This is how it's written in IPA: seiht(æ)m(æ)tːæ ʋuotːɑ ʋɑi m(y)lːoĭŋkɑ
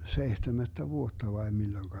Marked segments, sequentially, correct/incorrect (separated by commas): incorrect, correct, incorrect